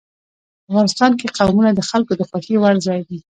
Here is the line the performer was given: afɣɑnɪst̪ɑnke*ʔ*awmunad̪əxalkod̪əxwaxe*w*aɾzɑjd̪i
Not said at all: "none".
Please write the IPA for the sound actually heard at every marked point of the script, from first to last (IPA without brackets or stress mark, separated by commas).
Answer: q, w